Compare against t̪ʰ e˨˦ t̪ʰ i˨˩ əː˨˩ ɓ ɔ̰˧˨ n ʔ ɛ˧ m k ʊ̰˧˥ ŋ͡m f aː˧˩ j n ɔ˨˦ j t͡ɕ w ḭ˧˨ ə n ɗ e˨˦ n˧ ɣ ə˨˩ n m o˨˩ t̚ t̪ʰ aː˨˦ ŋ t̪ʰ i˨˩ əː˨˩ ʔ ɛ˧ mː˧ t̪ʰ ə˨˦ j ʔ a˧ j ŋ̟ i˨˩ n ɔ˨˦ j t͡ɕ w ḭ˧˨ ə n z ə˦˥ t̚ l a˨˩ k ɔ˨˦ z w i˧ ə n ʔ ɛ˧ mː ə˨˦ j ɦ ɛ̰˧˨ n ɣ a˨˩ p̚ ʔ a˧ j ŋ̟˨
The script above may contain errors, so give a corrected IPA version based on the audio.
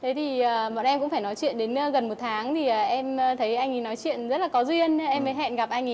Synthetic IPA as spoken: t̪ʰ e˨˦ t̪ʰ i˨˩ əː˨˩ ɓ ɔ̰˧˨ n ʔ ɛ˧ m k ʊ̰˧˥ ŋ͡m f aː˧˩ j n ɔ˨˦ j t͡ɕ w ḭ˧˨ ə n ɗ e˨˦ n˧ ɣ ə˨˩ n m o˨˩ t̚ t̪ʰ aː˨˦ ŋ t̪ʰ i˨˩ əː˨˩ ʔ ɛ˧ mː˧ t̪ʰ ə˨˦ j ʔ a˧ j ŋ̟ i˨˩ n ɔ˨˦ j t͡ɕ w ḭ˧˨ ə n z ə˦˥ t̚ l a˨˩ k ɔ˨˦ z w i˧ ə n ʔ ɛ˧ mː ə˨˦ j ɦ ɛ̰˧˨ n ɣ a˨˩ p̚ ʔ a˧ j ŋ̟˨